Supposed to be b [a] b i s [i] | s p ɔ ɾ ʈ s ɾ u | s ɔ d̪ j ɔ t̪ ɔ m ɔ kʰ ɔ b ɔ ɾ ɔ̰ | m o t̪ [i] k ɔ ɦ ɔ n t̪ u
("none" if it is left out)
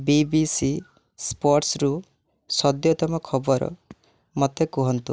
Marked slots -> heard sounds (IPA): i, i, e

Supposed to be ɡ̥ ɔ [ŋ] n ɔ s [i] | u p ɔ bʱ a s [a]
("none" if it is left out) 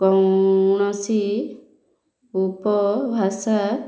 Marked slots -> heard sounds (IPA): ŋ, i, a

